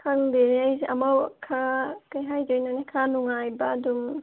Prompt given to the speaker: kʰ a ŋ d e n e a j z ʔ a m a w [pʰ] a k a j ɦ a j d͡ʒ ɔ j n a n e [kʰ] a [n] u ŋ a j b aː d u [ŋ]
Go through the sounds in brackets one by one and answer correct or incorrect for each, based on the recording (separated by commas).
incorrect, correct, correct, incorrect